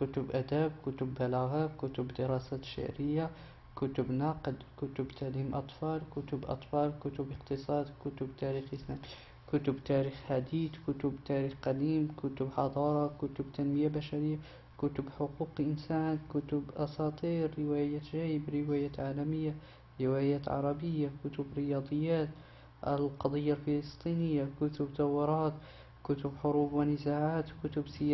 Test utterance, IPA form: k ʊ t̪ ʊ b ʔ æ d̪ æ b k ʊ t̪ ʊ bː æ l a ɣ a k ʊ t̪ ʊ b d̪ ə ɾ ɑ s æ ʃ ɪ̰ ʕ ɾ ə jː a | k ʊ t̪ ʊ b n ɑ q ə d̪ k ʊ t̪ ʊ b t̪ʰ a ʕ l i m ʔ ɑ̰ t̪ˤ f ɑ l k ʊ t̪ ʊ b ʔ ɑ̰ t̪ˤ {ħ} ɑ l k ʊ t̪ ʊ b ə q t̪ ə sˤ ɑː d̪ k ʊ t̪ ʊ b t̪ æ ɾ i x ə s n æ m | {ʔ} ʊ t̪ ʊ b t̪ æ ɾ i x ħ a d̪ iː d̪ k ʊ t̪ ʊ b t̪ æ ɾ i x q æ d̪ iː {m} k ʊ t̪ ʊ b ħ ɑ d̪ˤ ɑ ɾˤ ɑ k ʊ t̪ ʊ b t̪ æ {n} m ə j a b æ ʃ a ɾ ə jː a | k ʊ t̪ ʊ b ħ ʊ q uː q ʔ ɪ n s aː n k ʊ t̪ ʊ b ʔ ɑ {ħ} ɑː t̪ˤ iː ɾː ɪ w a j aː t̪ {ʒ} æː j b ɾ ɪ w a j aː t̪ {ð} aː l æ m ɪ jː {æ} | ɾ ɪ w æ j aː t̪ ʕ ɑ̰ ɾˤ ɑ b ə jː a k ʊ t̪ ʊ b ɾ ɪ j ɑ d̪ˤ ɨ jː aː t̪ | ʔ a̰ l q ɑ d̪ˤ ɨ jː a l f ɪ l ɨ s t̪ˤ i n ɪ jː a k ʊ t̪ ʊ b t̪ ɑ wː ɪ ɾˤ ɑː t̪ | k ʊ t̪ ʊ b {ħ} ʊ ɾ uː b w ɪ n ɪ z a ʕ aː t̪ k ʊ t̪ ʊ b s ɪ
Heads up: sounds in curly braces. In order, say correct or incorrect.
incorrect: f, incorrect: k, correct, correct, incorrect: s, correct, incorrect: ʕ, incorrect: a, correct

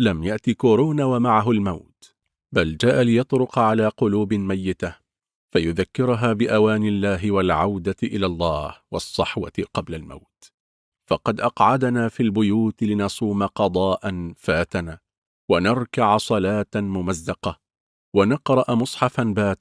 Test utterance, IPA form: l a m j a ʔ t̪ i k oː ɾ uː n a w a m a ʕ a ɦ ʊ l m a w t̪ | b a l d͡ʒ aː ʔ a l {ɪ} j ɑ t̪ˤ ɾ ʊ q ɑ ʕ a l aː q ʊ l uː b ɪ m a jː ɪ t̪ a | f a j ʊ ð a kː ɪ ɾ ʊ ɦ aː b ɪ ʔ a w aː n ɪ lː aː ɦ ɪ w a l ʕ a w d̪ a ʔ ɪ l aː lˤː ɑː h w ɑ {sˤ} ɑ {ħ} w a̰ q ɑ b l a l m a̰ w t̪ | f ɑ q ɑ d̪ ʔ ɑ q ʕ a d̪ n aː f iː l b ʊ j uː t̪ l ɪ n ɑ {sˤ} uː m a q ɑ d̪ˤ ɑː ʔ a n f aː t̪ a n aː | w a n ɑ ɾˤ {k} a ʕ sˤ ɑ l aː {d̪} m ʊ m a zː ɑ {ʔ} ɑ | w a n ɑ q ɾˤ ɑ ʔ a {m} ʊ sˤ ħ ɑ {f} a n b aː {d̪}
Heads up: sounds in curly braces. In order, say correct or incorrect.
correct, incorrect: sˤː, correct, correct, correct, incorrect: t̪, incorrect: q, correct, correct, incorrect: t̪

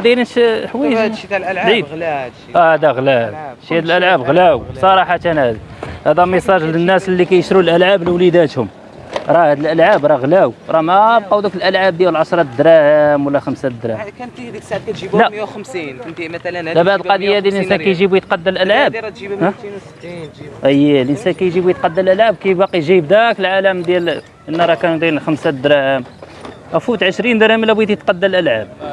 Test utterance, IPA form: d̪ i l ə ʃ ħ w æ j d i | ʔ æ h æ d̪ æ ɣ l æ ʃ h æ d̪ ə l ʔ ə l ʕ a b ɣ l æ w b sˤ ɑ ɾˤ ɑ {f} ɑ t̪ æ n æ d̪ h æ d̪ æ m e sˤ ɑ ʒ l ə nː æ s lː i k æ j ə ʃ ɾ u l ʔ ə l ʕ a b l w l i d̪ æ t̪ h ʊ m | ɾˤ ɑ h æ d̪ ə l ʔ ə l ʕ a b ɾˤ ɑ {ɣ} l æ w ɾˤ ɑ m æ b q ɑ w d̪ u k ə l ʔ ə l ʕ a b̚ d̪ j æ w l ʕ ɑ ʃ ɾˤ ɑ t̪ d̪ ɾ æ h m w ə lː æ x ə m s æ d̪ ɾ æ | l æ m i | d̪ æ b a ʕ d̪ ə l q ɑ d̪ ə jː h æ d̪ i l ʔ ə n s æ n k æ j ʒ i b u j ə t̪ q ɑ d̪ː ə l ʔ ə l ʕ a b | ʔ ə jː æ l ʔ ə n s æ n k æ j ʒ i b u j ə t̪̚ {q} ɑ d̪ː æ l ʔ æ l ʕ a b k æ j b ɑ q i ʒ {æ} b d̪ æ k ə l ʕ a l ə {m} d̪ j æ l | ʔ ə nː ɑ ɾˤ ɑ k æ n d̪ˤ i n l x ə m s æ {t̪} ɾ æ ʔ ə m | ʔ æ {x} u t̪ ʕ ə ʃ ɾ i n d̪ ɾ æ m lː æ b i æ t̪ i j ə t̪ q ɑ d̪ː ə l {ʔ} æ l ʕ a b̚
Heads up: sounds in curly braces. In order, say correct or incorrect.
incorrect: ħ, correct, correct, incorrect: i, correct, incorrect: d̪, incorrect: f, correct

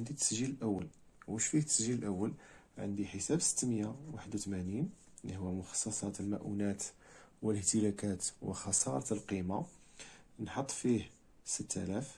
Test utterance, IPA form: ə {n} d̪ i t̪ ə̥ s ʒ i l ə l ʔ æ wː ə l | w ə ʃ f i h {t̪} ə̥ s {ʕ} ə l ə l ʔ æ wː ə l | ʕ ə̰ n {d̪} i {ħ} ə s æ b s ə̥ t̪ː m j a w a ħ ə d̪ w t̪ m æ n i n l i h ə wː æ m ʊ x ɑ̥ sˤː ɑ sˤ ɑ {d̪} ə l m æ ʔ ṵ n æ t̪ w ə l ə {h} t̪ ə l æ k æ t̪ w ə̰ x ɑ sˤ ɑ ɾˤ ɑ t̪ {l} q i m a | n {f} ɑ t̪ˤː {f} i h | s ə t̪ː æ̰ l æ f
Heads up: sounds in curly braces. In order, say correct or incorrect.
correct, correct, incorrect: ʒ, correct, correct, incorrect: t̪, correct, correct, incorrect: ħ, correct

